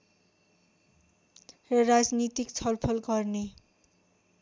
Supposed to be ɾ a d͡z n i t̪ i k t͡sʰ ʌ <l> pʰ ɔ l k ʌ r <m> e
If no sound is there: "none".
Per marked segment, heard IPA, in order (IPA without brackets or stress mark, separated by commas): l, n